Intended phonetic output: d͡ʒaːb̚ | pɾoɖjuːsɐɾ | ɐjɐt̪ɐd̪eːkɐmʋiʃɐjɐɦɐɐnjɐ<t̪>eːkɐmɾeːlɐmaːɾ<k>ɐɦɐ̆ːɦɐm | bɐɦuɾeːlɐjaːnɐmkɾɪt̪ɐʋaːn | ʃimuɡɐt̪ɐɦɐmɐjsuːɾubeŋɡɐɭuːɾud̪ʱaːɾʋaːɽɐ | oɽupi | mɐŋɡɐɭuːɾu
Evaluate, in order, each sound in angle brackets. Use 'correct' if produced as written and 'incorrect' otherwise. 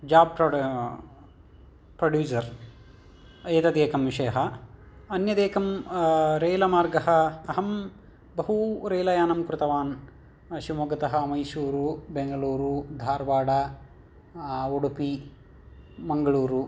incorrect: d̪, incorrect: ɡ

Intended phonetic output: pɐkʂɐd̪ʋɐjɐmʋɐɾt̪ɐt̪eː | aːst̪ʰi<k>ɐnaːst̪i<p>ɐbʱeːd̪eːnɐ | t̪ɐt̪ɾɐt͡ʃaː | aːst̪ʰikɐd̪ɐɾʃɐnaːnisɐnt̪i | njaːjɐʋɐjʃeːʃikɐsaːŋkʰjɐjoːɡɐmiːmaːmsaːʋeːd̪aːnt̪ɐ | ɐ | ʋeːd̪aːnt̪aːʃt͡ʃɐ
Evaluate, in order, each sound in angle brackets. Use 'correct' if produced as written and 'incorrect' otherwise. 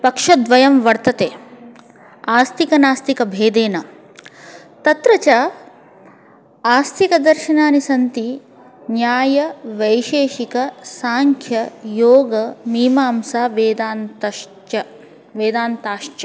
correct, incorrect: k

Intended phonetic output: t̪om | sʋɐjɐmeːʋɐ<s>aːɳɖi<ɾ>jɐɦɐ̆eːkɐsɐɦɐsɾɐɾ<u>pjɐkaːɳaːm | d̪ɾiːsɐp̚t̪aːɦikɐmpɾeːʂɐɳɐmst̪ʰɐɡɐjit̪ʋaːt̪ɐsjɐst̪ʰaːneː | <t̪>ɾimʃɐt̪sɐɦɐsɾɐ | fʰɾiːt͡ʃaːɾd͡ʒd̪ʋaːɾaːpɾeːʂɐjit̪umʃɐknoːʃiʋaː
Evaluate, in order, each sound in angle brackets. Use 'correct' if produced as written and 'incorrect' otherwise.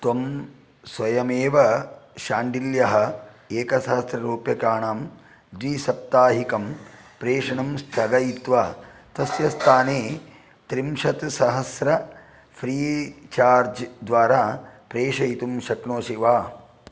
incorrect: ʃ, incorrect: l, incorrect: uː, correct

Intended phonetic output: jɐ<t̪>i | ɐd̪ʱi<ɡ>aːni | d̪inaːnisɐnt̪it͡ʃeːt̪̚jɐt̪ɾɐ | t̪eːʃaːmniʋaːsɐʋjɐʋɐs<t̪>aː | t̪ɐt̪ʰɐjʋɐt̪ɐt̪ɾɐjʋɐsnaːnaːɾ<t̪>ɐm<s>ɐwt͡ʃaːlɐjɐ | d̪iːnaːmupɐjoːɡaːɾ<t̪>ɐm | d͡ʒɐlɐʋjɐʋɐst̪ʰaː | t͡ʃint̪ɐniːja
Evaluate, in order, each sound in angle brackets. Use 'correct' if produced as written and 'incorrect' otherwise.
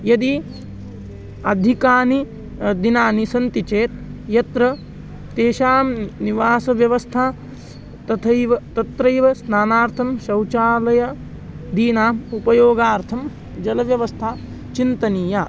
incorrect: d̪, incorrect: k, incorrect: t̪ʰ, incorrect: t̪ʰ, incorrect: ʃ, incorrect: t̪ʰ

